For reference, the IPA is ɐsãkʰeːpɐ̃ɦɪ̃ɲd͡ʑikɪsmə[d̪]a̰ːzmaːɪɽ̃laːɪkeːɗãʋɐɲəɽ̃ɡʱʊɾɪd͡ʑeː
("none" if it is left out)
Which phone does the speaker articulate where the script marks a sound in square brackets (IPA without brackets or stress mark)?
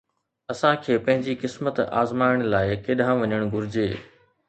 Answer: t̪